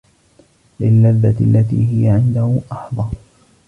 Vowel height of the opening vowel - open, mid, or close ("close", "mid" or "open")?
close